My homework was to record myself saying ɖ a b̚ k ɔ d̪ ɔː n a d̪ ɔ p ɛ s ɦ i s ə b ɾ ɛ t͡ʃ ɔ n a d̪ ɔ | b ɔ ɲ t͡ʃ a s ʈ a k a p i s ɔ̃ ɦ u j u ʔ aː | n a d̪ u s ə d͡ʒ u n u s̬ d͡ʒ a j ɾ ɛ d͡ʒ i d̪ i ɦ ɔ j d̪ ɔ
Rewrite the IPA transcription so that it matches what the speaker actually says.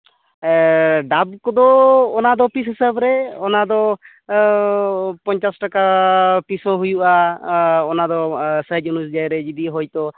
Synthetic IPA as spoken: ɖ a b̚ k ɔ d̪ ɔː n a d̪ ɔ p i s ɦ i s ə b ɾ ɛ ɔ n a d̪ ɔ | p ɔ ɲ t͡ʃ a s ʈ a k a p i s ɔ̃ ɦ u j u ʔ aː | n a d̪ ɔ s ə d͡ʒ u n u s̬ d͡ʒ a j ɾ ɛ d͡ʒ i d̪ i ɦ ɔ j t̪ ɔ